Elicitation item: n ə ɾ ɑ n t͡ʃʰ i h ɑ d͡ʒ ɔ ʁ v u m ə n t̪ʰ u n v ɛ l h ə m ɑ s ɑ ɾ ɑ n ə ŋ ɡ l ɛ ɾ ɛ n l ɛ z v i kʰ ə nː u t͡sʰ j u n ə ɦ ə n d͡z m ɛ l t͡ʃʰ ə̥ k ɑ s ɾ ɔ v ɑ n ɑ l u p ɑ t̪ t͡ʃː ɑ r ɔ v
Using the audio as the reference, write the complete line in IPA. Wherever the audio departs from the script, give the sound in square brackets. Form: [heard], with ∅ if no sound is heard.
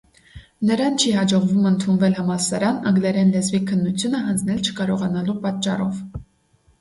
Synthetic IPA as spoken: n ə ɾ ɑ n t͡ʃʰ i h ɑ d͡ʒ ɔ ʁ v u m ə n t̪ʰ u n v ɛ l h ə m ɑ s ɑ ɾ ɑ n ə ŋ ɡ l ɛ ɾ ɛ n l ɛ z v i kʰ ə nː u t͡sʰ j u n ə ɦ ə n d͡z [n] ɛ l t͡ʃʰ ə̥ k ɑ [∅] ɾ ɔ [ʁ] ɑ n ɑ l u p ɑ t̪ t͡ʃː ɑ r ɔ v